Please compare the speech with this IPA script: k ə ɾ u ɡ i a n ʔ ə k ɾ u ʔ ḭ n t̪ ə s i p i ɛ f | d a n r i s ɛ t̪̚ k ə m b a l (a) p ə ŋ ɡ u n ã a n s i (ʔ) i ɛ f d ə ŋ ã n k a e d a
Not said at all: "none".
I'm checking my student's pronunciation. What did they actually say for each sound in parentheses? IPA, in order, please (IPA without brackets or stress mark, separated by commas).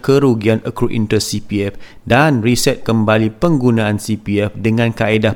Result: i, p